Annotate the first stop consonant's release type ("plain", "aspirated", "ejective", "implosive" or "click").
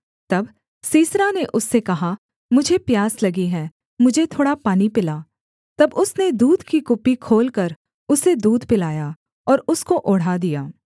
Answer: plain